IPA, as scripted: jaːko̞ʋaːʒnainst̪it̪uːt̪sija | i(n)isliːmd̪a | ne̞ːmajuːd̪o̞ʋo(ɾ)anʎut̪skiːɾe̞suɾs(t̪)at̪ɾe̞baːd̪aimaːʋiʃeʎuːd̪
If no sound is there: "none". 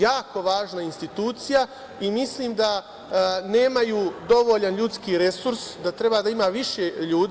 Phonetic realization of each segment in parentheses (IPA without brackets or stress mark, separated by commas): m, ʎ, d̪